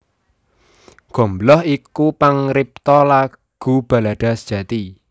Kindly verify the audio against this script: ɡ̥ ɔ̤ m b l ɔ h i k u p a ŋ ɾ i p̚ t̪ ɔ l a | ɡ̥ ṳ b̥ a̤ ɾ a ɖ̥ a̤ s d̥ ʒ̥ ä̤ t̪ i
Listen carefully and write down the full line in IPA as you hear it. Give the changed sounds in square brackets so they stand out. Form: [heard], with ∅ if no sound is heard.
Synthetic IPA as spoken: ɡ̥ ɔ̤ m b l ɔ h i k u p a ŋ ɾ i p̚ t̪ ɔ l a | ɡ̥ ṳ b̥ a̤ [l] a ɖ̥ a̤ s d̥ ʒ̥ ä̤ t̪ i